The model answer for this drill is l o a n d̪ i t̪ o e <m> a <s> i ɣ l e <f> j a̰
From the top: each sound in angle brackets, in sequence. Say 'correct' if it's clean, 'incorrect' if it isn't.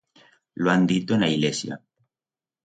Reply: incorrect: n, incorrect: none, incorrect: s

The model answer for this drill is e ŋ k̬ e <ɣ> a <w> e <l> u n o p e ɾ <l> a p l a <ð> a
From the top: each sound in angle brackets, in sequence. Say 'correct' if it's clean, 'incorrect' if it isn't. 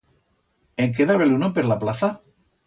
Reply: incorrect: ð, incorrect: β, correct, correct, incorrect: θ

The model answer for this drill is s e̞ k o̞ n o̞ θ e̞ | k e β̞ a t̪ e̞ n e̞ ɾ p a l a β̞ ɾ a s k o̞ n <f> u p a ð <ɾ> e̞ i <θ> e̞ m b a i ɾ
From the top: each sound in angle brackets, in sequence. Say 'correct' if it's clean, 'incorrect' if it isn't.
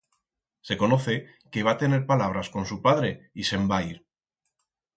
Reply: incorrect: s, correct, incorrect: s

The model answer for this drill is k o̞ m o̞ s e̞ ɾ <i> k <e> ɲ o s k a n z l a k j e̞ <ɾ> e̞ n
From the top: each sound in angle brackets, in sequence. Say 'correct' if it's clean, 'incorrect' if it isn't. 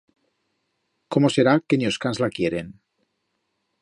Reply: incorrect: a, correct, correct

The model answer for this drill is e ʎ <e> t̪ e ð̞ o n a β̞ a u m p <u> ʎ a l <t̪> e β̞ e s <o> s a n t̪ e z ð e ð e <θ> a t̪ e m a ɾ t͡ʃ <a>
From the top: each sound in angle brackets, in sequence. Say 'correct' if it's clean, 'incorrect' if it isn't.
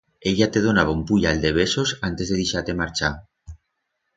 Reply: incorrect: a, correct, incorrect: d̪, correct, incorrect: ʃ, correct

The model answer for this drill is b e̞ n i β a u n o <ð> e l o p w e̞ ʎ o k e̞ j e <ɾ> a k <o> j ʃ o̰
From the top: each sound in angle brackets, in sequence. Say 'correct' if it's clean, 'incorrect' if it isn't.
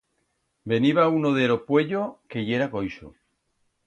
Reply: correct, correct, correct

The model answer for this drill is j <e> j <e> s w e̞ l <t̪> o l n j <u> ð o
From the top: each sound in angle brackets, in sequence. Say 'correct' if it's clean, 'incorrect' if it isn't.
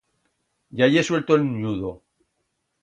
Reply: incorrect: a, correct, correct, correct

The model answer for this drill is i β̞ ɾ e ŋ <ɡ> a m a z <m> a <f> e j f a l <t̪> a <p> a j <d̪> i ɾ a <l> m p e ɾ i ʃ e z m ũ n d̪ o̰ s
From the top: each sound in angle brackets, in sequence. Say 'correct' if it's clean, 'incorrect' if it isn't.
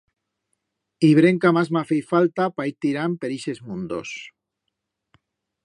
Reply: incorrect: k, correct, correct, correct, correct, incorrect: t̪, incorrect: none

